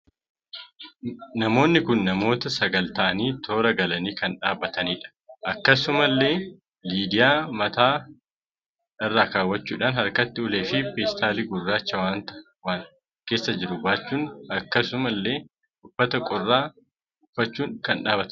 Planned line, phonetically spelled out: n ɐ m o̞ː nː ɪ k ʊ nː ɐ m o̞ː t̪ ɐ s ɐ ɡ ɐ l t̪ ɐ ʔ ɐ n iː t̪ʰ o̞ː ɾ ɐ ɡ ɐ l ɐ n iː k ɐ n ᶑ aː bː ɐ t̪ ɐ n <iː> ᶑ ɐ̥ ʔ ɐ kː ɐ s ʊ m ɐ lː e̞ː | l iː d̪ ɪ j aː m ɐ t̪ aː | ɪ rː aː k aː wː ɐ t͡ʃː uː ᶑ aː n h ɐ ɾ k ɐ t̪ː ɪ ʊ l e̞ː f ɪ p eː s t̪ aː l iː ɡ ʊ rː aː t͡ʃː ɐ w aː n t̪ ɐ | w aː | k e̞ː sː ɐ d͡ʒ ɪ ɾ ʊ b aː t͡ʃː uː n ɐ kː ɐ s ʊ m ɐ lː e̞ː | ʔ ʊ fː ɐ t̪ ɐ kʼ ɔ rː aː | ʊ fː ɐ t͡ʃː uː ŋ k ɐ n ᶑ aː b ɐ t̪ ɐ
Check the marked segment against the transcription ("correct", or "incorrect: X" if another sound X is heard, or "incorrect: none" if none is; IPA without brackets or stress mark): correct